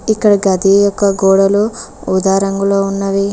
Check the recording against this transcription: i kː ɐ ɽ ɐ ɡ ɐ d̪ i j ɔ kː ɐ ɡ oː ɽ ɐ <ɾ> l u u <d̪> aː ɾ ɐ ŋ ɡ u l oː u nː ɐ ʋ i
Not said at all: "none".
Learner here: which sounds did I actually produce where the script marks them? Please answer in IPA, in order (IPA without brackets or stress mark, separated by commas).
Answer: none, d̪